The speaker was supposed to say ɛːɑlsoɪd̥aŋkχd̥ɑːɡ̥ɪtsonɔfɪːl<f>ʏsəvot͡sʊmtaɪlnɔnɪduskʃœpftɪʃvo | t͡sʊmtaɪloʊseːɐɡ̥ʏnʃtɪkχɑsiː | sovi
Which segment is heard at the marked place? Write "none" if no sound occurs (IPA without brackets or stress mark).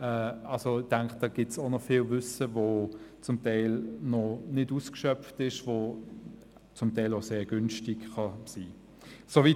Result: v